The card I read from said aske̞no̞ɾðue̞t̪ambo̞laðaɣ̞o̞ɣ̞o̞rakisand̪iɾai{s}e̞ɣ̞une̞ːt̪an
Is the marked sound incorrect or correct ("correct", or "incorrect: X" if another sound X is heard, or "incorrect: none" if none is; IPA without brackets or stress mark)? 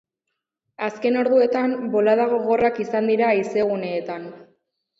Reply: correct